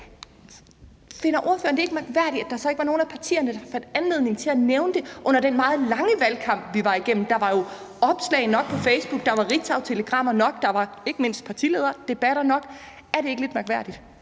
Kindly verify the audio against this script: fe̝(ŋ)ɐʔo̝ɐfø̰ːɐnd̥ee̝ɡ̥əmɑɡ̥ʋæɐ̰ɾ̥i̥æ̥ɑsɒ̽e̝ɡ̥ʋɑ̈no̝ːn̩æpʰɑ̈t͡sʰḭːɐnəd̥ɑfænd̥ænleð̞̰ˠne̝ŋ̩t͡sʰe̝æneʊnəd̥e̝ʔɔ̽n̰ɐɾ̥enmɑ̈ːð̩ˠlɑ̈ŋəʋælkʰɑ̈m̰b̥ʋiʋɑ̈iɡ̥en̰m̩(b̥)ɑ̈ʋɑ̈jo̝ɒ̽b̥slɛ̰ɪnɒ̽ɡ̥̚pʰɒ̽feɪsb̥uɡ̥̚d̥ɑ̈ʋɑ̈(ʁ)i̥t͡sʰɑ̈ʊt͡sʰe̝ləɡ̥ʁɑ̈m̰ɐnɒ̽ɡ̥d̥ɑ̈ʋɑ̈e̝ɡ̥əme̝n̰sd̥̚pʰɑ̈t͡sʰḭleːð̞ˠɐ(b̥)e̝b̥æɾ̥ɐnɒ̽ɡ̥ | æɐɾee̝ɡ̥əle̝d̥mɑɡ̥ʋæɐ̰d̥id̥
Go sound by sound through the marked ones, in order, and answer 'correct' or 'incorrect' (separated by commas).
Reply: incorrect, incorrect, correct, incorrect